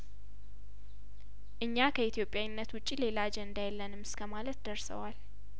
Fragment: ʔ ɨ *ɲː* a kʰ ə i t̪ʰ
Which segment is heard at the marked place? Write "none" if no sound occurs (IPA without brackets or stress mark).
ɲː